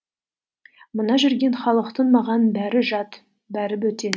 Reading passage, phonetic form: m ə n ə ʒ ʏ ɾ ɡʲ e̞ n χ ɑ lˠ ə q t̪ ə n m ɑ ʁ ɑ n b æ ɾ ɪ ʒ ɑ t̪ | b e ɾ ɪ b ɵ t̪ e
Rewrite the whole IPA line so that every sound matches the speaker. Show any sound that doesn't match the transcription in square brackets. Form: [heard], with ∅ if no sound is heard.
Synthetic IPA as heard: m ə n [ɑ] ʒ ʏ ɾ ɡʲ e̞ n χ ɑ lˠ ə q t̪ ə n m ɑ ʁ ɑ n b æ ɾ ɪ ʒ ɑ t̪ | b [æ] ɾ ɪ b ɵ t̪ e